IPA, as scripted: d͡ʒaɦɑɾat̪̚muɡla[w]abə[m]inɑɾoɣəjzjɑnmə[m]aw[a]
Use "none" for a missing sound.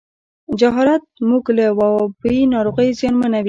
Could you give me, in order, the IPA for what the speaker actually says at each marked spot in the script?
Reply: w, none, n, i

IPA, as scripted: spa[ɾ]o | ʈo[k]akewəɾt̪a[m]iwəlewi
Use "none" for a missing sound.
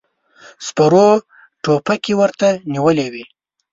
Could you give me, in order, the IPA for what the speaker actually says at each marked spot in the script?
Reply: ɾ, p, n

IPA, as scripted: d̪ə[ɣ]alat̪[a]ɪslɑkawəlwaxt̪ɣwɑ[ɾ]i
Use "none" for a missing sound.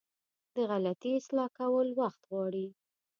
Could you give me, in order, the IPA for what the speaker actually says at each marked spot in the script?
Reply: ɣ, i, ɽ

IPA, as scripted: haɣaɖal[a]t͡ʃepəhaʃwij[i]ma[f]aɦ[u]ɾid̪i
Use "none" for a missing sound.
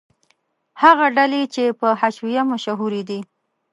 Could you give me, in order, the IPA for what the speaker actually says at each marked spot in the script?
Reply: e, a, ʃ, u

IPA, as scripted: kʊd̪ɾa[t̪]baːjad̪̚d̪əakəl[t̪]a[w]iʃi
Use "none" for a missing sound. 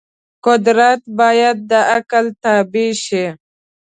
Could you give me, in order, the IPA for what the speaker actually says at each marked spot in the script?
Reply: t̪, t̪, b

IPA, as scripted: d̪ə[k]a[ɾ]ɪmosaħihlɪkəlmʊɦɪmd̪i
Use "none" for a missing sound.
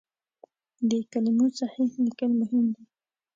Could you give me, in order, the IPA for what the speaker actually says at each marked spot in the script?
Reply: k, l

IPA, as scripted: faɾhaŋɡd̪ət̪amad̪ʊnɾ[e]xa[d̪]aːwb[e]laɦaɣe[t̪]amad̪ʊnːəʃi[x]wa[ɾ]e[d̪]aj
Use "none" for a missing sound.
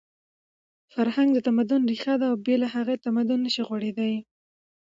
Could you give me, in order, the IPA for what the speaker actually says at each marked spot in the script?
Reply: i, d̪, e, t̪, ɣ, ɽ, d̪

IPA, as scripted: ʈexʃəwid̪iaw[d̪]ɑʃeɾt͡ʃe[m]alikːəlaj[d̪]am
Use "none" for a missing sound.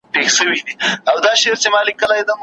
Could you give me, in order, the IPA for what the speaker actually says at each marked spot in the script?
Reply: d̪, m, d̪

